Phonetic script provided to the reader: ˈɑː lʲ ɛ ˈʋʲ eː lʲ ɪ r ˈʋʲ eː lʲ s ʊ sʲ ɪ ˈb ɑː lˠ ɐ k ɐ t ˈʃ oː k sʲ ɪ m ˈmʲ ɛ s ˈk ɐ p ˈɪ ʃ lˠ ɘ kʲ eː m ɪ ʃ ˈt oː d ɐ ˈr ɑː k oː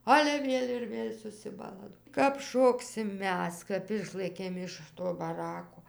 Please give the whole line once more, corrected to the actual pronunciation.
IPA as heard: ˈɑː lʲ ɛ ˈʋʲ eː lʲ ɪ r ˈʋʲ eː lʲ s ʊ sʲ ɪ ˈb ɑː lˠ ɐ k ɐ p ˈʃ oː k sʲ ɪ m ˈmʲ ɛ s ˈk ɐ p ˈɪ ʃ lˠ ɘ kʲ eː m ɪ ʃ ˈt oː b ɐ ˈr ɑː k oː